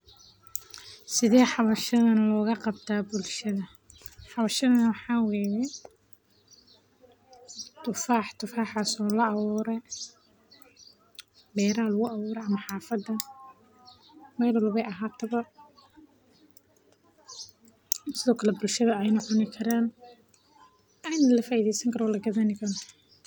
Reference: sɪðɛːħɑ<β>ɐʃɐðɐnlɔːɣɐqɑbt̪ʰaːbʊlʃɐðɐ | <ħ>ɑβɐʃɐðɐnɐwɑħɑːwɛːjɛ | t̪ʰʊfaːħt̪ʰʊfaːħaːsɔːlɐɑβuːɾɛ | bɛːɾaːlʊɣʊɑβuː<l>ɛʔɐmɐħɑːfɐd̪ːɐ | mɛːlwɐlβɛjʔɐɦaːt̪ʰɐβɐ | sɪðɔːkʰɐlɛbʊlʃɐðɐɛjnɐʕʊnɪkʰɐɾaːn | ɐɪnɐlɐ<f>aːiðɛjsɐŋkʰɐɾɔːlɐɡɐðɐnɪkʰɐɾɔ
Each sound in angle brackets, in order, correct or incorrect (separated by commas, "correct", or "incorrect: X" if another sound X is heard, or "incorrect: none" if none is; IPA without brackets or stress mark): correct, correct, incorrect: ɾ, correct